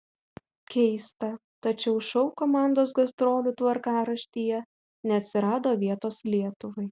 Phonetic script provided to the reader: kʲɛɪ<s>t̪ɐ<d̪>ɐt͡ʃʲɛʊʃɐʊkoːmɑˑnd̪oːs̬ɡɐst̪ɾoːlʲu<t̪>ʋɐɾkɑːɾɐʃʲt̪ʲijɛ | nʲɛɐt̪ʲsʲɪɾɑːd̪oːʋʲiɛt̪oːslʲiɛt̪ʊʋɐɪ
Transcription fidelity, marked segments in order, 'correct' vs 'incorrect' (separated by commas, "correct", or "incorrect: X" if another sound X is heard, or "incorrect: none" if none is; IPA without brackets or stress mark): correct, incorrect: t̪, correct